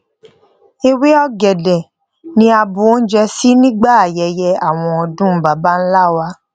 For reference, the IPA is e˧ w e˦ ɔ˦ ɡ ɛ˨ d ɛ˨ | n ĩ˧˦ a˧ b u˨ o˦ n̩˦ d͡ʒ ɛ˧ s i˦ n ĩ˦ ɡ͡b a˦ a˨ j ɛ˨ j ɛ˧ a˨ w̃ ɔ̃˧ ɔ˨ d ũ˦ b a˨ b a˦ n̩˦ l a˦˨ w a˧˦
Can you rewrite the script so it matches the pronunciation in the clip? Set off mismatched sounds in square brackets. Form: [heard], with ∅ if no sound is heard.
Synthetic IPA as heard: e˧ w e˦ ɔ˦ ɡ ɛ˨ d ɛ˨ | n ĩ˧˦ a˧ b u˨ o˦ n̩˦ d͡ʒ ɛ˧ s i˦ n ĩ˦ ɡ͡b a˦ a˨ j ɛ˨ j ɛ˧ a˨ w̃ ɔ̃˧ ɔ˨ d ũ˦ b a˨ b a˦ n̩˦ l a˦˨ w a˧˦